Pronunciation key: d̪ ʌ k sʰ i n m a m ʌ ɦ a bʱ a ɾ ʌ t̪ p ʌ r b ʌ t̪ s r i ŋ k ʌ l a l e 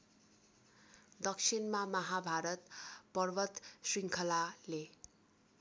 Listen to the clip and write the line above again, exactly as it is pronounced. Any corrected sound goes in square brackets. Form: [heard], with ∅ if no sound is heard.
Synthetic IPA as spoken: d̪ ʌ k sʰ i n m a m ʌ ɦ a bʱ a ɾ ʌ t̪ p ʌ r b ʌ t̪ s r i ŋ [kʰ] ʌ l a l e